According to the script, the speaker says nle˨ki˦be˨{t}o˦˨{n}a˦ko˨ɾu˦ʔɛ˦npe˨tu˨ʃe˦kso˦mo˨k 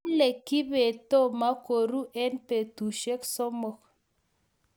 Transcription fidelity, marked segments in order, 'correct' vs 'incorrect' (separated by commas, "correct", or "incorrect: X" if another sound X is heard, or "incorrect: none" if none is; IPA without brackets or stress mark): correct, incorrect: m